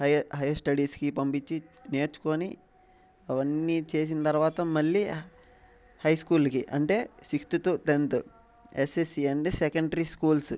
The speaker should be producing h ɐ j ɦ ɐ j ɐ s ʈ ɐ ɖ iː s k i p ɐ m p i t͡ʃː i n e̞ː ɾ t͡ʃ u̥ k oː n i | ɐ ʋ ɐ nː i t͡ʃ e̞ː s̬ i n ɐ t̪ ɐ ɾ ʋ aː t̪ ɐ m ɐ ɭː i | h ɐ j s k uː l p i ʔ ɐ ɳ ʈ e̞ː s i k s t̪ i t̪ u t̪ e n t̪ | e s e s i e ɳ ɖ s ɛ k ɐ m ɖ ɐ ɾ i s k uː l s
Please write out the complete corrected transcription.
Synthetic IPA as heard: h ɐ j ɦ ɐ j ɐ s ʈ ɐ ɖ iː s k i p ɐ m p i t͡ʃː i n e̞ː ɾ t͡ʃ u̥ k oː n i | ɐ ʋ ɐ nː i t͡ʃ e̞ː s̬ i n ɐ t̪ ɐ ɾ ʋ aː t̪ ɐ m ɐ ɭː i | h ɐ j s k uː l k i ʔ ɐ ɳ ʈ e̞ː s i k s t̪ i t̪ u t̪ e n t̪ | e s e s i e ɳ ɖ s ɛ k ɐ ɳ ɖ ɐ ɾ i s k uː l s

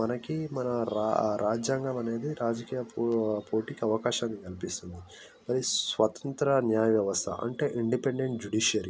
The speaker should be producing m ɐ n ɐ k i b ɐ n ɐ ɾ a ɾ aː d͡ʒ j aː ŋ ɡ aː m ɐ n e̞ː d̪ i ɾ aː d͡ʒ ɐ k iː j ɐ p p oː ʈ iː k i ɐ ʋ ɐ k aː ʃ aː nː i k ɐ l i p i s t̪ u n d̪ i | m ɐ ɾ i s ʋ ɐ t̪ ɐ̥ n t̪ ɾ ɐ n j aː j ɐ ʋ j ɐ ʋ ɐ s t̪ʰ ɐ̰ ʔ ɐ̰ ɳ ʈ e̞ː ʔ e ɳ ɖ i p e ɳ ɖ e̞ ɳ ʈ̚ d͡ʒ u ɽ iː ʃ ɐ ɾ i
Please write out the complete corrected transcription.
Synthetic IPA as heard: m ɐ n ɐ k i m ɐ n ɐ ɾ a ɾ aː d͡ʒ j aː ŋ ɡ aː m ɐ n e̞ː d̪ i ɾ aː d͡ʒ ɐ k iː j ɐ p p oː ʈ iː k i ɐ ʋ ɐ k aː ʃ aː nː i k ɐ l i p i s t̪ u n d̪ i | m ɐ ɾ i s ʋ ɐ t̪ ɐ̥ n t̪ ɾ ɐ n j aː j ɐ ʋ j ɐ ʋ ɐ s t̪ʰ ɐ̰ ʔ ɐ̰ ɳ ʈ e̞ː ʔ i ɳ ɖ i p e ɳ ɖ e̞ ɳ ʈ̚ d͡ʒ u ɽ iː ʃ ɐ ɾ i

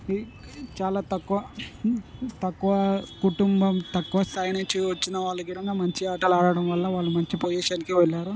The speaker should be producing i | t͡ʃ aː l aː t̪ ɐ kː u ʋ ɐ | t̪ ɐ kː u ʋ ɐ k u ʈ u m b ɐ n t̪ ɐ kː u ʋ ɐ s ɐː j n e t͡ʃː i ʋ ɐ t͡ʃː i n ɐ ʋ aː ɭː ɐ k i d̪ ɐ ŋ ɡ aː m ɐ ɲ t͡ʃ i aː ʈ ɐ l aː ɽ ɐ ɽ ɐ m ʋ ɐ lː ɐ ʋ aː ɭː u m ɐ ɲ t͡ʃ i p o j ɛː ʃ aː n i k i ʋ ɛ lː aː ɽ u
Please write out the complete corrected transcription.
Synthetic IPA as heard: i | t͡ʃ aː l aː t̪ ɐ kː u ʋ ɐ | t̪ ɐ kː u ʋ ɐ k u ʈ u m b ɐ m t̪ ɐ kː u ʋ ɐ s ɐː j n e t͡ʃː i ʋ ɐ t͡ʃː i n ɐ ʋ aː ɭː ɐ k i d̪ ɐ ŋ ɡ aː m ɐ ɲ t͡ʃ i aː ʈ ɐ l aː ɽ ɐ ɽ ɐ m ʋ ɐ lː ɐ ʋ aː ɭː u m ɐ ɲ t͡ʃ i p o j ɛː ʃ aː n i k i ʋ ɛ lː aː ɾ u

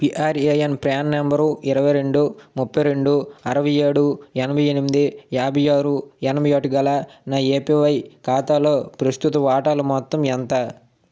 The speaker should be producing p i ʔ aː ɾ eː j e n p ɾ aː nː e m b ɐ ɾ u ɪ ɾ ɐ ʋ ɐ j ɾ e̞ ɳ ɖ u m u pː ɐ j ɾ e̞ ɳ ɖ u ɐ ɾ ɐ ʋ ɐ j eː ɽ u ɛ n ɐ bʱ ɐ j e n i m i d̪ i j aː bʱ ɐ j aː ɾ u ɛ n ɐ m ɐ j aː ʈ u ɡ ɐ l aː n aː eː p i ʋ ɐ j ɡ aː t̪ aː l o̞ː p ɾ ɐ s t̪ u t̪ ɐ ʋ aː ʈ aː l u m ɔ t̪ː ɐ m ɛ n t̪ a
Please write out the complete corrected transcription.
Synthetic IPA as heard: p i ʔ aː ɾ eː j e n p ɾ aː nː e m b ɐ ɾ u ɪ ɾ ɐ ʋ ɐ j ɾ e̞ ɳ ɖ u m u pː ɐ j ɾ e̞ ɳ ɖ u ɐ ɾ ɐ ʋ ɐ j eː ɽ u ɛ n ɐ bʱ ɐ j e n i m i d̪ i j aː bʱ ɐ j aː ɾ u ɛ n ɐ m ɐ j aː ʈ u ɡ ɐ l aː n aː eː p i ʋ ɐ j k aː t̪ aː l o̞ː p ɾ ɐ s t̪ u t̪ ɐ ʋ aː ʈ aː l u m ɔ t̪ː ɐ m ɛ n t̪ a

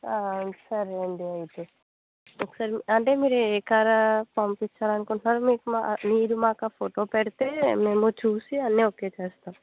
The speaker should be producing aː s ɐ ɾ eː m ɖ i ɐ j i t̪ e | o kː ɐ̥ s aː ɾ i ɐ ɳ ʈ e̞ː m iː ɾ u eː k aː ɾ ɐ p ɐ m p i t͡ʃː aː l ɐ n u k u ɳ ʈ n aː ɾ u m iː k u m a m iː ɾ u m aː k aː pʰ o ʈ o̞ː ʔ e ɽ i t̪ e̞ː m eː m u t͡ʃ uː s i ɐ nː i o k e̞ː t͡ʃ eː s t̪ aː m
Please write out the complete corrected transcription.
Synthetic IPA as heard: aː s ɐ ɾ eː ɳ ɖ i ɐ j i t̪ e | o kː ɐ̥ s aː ɾ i ɐ ɳ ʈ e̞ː m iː ɾ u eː k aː ɾ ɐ p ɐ m p i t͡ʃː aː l ɐ n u k u ɳ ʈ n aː ɾ u m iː k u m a m iː ɾ u m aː k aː pʰ o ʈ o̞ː p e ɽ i t̪ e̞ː m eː m u t͡ʃ uː s i ɐ nː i o k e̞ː t͡ʃ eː s t̪ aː m

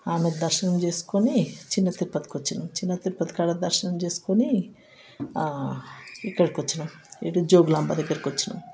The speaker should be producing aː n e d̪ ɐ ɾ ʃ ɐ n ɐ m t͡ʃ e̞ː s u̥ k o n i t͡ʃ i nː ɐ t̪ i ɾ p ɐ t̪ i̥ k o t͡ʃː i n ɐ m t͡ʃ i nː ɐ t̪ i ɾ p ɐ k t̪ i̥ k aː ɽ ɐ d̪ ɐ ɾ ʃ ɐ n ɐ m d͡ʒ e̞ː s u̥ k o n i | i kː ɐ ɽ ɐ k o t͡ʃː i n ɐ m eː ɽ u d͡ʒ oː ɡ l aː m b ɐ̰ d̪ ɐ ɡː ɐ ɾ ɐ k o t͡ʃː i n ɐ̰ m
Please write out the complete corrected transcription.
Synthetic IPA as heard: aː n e d̪ ɐ ɾ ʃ ɐ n ɐ m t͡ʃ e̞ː s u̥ k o n i t͡ʃ i nː ɐ t̪ i ɾ p ɐ t̪ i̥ k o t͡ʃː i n ɐ m t͡ʃ i nː ɐ t̪ i ɾ p ɐ t̪ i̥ k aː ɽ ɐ d̪ ɐ ɾ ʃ ɐ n ɐ m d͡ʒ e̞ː s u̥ k o n i | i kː ɐ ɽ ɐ k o t͡ʃː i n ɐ m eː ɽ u d͡ʒ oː ɡ l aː m b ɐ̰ d̪ ɐ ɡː ɐ ɾ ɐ k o t͡ʃː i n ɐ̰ m

